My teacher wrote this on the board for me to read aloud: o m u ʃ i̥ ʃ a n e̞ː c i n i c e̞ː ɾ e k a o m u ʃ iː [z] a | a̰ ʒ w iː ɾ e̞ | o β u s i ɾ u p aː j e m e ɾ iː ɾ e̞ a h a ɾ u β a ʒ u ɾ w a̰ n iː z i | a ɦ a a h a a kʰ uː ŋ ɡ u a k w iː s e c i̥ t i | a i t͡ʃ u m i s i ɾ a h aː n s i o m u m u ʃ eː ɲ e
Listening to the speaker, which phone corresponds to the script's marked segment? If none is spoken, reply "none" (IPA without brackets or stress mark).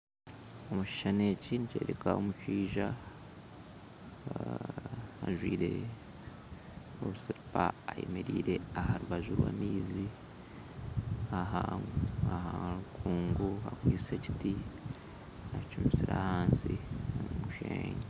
ʒ